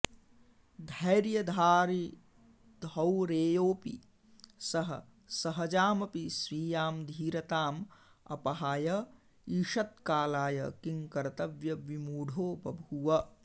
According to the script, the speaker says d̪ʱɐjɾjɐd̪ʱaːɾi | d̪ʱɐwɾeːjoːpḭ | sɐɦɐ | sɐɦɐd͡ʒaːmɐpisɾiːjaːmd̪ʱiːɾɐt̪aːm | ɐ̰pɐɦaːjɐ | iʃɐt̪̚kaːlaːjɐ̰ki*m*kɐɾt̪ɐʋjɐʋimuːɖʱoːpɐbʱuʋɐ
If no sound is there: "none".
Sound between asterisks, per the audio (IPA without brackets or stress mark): ŋ